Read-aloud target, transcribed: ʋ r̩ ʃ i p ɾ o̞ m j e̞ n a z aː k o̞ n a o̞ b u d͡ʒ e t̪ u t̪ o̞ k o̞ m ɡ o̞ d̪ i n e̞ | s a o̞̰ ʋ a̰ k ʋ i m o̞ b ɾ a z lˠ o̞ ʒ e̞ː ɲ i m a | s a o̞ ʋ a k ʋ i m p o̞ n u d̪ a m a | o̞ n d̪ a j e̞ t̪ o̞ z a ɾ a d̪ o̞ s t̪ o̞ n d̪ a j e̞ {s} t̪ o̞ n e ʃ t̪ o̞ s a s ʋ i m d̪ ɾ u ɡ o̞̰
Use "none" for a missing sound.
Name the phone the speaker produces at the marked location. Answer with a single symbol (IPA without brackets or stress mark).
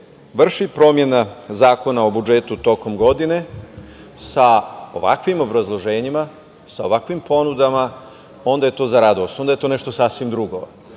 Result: none